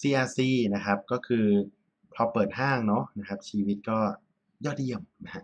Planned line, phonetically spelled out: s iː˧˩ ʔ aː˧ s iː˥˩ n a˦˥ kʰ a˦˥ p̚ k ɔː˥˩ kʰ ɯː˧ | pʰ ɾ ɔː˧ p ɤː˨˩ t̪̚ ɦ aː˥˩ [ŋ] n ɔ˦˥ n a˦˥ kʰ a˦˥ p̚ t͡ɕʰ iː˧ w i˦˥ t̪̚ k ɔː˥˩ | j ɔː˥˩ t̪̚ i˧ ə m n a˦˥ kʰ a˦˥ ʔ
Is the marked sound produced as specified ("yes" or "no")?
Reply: yes